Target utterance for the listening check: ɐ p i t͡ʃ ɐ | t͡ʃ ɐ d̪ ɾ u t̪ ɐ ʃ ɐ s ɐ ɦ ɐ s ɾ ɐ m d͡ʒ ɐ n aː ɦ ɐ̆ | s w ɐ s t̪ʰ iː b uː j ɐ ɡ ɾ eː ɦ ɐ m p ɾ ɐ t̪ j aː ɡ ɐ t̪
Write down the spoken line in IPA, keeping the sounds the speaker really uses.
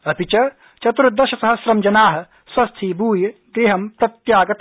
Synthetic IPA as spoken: ɐ p i t͡ʃ ɐ | t͡ʃ ɐ t̪ ɾ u d̪ ɐ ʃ ɐ s ɐ ɦ ɐ s ɾ ɐ m d͡ʒ ɐ n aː ɦ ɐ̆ | s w ɐ s t̪ʰ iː b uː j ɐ ɡ ɾ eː ɦ ɐ m p ɾ ɐ t̪ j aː ɡ ɐ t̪